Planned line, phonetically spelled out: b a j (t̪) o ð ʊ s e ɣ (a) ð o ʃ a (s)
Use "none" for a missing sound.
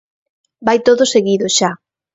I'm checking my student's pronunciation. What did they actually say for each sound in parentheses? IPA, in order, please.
t̪, i, none

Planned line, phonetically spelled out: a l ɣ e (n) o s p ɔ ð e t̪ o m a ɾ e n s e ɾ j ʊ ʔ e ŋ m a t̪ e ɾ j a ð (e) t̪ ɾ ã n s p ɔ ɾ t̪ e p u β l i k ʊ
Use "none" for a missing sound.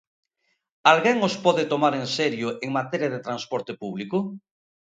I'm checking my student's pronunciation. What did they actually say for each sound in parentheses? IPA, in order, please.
ŋ, e

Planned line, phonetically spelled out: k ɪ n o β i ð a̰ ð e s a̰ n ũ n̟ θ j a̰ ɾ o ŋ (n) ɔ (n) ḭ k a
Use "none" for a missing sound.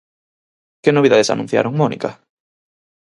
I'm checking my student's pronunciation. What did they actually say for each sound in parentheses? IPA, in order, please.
m, n

